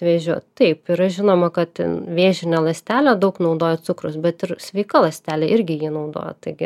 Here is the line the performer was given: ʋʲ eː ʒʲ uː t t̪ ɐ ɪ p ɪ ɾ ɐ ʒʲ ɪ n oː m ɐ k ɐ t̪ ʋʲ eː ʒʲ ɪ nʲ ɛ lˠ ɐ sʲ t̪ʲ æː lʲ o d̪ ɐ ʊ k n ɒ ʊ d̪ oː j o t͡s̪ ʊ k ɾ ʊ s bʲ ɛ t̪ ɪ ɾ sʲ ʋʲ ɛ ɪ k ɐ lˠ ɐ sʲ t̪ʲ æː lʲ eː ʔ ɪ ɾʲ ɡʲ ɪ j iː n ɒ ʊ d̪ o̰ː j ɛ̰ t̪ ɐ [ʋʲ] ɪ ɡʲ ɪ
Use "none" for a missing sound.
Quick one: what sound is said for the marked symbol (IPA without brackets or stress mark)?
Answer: none